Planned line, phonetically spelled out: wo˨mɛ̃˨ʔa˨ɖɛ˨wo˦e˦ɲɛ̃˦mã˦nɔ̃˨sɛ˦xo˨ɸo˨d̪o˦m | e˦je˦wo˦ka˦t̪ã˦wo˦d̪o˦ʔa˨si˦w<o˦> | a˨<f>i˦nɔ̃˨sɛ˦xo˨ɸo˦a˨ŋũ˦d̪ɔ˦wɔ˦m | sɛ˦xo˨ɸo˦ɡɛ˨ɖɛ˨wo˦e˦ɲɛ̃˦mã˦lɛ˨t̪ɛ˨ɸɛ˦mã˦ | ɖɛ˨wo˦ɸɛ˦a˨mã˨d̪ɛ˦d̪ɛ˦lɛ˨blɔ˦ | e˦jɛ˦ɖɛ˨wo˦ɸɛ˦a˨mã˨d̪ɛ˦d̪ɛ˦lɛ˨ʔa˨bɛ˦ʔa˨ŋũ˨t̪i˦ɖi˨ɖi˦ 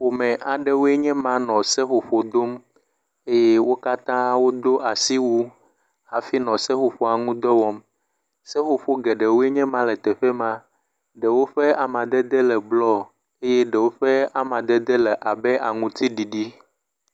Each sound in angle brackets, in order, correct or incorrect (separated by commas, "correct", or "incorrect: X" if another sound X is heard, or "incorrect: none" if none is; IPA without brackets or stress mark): incorrect: u˦, correct